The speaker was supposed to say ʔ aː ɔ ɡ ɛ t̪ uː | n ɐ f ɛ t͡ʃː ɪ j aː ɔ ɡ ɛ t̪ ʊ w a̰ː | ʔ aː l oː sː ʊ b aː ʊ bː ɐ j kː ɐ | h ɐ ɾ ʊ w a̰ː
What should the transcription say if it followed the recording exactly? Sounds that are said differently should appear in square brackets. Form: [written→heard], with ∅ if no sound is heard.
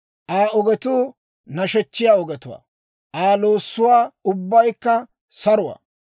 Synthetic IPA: ʔ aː ɔ ɡ ɛ t̪ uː | n ɐ [f→ʃ] ɛ t͡ʃː ɪ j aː ɔ ɡ ɛ t̪ ʊ w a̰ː | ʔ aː l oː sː ʊ [b→w] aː ʊ bː ɐ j kː ɐ | [h→s] ɐ ɾ ʊ w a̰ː